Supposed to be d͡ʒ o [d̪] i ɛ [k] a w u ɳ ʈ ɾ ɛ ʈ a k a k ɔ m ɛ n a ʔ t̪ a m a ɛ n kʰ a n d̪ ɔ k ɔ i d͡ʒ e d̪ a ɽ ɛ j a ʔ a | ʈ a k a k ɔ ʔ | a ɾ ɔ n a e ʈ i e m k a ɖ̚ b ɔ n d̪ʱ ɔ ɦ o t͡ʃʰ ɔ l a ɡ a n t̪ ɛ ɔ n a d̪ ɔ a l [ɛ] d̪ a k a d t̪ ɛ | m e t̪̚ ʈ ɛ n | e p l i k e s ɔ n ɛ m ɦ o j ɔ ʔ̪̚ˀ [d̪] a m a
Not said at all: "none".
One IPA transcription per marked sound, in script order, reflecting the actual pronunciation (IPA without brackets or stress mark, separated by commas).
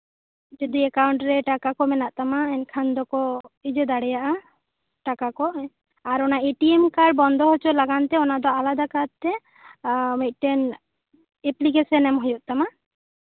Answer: d̪, k, a, t̪